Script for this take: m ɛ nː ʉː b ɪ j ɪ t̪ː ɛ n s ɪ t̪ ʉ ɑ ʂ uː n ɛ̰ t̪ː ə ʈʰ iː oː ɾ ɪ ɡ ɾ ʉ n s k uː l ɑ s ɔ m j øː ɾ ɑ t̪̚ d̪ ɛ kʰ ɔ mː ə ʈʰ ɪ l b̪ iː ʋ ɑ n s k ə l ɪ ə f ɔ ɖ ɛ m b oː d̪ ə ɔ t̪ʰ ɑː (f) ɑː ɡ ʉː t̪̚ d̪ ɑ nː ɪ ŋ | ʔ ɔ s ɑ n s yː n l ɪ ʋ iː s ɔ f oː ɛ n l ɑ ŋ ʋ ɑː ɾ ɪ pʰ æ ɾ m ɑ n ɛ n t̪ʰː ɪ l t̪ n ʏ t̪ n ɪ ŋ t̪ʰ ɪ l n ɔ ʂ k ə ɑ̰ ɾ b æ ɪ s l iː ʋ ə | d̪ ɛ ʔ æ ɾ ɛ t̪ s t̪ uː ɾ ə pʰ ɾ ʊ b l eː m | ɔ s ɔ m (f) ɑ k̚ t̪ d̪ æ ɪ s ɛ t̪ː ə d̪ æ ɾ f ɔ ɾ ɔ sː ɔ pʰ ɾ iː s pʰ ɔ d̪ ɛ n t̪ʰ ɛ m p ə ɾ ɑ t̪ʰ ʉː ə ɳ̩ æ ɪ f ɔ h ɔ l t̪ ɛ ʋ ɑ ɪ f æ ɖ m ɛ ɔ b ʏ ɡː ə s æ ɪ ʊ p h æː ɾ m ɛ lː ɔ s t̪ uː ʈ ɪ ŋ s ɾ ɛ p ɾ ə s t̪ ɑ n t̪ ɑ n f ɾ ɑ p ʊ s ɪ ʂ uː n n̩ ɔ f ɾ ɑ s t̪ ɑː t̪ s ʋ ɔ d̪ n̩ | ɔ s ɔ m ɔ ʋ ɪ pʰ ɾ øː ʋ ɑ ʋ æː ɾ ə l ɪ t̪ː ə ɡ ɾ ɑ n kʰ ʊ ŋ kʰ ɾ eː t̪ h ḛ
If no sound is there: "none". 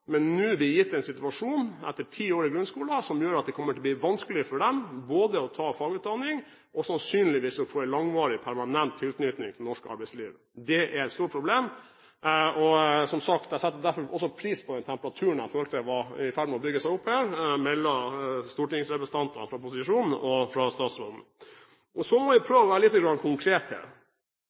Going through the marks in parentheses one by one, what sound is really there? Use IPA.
f, s

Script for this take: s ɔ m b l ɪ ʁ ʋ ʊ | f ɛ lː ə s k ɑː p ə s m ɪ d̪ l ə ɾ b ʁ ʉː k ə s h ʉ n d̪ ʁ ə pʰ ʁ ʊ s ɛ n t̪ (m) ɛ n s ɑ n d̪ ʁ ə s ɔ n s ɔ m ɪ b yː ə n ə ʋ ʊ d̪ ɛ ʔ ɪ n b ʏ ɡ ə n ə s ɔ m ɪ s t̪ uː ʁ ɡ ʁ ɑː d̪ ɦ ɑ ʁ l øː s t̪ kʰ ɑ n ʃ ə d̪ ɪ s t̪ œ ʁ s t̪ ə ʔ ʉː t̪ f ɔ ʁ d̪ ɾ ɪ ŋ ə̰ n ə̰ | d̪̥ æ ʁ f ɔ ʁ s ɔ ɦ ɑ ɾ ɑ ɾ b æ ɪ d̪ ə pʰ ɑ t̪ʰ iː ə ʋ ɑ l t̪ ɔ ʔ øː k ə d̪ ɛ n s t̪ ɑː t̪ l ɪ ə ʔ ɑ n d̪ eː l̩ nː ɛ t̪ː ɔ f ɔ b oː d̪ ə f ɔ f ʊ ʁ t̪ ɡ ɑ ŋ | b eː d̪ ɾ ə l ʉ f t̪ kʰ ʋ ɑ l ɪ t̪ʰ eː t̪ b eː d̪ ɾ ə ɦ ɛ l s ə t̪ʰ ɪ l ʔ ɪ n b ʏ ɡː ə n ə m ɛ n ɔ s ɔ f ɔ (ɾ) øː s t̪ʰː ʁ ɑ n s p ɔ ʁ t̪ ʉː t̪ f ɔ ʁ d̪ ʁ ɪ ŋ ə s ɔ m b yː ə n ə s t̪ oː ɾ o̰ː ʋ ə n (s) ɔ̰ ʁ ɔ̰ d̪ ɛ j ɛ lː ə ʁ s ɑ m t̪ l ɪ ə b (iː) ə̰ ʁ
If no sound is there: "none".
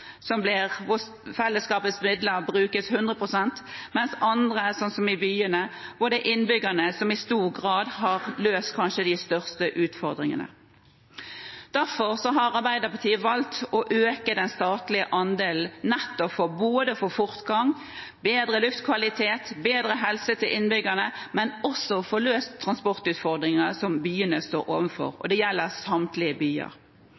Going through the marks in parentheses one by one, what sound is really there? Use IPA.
m, l, f, yː

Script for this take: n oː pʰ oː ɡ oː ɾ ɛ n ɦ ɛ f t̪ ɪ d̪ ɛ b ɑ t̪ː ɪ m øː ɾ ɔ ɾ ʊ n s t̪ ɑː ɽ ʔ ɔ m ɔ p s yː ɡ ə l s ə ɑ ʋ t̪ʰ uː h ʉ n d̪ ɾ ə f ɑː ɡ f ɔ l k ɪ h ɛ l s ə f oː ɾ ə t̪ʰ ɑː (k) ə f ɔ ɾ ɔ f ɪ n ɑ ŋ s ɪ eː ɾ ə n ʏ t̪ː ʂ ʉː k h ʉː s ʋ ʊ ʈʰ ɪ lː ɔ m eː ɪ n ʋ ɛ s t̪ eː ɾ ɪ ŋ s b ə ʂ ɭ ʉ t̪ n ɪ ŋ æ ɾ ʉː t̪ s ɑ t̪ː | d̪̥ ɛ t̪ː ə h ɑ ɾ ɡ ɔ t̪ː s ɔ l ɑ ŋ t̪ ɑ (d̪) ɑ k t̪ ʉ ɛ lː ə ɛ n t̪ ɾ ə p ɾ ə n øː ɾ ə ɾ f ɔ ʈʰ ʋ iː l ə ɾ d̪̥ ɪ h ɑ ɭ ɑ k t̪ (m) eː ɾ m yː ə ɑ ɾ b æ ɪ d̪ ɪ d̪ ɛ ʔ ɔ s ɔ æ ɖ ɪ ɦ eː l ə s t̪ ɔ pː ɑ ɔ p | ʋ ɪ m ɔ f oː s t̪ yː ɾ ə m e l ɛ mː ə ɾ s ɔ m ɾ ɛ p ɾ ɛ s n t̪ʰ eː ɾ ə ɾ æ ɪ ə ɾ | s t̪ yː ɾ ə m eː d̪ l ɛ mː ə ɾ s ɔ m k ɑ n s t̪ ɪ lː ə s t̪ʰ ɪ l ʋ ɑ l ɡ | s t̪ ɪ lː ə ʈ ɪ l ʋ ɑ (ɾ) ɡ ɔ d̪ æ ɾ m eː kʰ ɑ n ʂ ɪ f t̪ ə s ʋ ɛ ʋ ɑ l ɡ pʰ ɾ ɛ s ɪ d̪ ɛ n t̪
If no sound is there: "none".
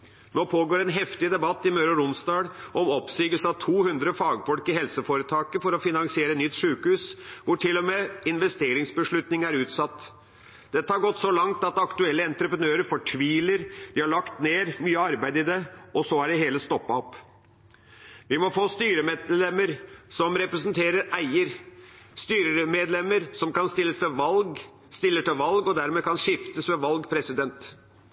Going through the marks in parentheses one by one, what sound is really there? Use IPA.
k, t̪, n, l

